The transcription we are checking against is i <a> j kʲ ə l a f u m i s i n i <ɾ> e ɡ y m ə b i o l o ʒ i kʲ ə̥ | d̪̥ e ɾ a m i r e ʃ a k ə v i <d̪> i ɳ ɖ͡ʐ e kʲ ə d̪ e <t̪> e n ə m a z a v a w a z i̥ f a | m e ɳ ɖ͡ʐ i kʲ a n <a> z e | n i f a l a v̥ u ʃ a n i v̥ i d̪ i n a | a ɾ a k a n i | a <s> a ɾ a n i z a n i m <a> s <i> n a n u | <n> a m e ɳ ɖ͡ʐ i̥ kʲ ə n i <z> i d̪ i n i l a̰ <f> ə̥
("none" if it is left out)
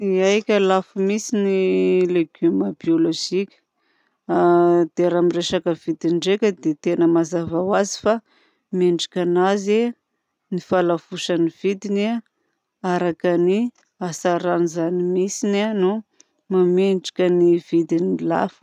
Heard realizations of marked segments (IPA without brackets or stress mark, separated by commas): a, l, d̪, t̪, a, s, i, i, m, v, f